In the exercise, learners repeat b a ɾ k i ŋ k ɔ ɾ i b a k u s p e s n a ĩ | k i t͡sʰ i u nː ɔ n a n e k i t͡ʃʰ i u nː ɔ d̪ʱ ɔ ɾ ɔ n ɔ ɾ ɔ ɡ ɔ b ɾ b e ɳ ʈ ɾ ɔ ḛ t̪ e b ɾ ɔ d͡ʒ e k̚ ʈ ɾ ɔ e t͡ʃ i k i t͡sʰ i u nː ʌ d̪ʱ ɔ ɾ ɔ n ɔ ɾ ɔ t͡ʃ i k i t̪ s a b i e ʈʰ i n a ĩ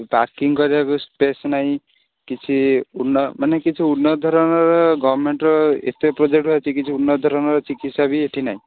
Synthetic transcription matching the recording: b a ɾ k i ŋ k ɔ ɾ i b a k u s p e s n a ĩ | k i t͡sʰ i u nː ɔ m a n e k i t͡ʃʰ i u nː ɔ d̪ʱ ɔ ɾ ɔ n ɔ ɾ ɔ ɡ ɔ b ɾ m e ɳ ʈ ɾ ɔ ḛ t̪ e p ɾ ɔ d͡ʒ e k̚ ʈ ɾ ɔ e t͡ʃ i k i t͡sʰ i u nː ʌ d̪ʱ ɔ ɾ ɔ n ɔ ɾ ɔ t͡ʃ i k i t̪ s a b i e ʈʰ i n a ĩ